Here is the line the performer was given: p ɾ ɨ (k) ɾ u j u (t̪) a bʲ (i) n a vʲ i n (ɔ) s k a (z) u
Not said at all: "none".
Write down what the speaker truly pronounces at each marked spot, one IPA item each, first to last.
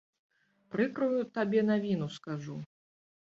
k, t̪, ɛ, u, ʐ

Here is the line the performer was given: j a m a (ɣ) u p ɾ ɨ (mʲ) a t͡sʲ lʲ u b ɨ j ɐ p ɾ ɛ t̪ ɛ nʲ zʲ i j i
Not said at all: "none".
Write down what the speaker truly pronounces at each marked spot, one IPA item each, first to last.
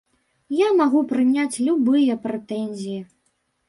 ɣ, nʲ

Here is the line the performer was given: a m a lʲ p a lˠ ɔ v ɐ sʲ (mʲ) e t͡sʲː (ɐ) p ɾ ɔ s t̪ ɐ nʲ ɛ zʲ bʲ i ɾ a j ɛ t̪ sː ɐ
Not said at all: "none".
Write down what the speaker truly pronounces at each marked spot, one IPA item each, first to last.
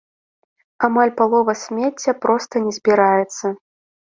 mʲ, ɐ

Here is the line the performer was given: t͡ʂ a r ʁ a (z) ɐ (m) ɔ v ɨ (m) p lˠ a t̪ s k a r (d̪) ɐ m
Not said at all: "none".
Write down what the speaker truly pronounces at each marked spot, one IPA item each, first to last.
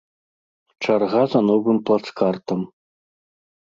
z, n, m, t̪

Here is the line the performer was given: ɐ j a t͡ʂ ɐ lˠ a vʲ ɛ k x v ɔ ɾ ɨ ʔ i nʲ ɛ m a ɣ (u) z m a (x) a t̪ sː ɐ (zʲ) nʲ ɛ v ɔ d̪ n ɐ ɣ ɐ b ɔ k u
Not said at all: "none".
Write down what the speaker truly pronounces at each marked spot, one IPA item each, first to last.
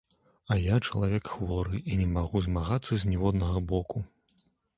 u, ɣ, zʲ

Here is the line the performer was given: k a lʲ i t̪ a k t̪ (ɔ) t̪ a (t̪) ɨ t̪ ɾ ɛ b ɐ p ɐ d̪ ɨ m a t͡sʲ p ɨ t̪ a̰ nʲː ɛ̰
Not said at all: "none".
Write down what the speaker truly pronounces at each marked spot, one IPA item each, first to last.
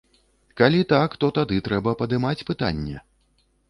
ɔ, d̪

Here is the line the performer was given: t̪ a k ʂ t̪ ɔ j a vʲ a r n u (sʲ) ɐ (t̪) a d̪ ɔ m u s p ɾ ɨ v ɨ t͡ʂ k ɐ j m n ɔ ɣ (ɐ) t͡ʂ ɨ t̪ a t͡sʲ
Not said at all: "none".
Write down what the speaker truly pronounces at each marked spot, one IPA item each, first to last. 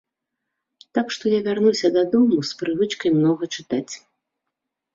sʲ, d̪, ɐ

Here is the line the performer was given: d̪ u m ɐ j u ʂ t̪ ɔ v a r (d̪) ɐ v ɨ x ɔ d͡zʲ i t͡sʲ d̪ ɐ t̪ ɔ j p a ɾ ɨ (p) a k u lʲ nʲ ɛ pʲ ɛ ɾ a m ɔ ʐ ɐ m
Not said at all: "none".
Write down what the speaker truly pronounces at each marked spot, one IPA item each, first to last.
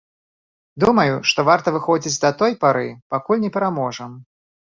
t̪, p

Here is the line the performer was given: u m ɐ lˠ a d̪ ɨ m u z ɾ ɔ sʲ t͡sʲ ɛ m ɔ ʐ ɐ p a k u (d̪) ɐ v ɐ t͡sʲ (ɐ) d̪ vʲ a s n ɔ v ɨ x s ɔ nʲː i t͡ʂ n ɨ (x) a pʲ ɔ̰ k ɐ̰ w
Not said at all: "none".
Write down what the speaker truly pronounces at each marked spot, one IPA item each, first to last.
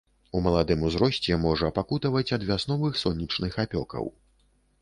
t̪, ɐ, x

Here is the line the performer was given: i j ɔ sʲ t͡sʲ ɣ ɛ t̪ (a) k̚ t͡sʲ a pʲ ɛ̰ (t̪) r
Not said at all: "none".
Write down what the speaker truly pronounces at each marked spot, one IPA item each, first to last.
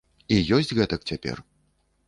ɐ, none

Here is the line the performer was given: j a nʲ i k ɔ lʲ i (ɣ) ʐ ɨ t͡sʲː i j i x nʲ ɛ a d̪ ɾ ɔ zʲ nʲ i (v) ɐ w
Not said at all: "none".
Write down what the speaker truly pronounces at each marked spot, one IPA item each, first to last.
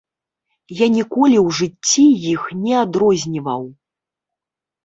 w, v

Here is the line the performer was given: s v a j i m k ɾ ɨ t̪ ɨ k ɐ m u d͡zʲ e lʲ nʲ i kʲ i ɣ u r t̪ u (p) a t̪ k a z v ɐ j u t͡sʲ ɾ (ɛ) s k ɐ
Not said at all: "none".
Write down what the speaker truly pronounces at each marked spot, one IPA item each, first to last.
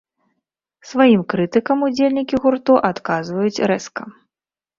ʔ, ɛ

